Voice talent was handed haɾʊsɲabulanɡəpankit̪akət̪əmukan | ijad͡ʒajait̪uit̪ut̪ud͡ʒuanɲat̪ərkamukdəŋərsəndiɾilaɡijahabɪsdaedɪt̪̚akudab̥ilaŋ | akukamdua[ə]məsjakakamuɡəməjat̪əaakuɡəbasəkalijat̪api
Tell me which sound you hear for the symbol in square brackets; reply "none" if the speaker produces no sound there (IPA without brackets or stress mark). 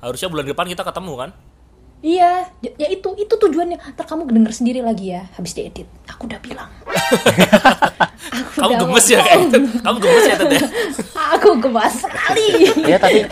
ə